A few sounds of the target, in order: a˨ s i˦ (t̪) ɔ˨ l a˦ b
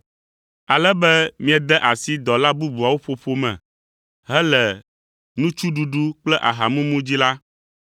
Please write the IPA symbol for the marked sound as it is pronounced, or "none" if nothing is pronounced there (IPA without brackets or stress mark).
d̪